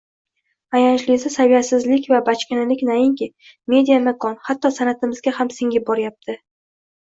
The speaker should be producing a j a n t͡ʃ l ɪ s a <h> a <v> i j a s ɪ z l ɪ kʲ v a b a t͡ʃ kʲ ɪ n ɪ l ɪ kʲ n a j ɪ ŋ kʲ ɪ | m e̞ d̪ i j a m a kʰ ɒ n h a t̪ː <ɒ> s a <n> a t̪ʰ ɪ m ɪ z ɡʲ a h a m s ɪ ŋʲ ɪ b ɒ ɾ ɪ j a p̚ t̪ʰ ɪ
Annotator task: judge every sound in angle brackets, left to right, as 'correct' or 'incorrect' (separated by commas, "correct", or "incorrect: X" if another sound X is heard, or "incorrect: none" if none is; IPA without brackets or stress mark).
incorrect: s, correct, correct, correct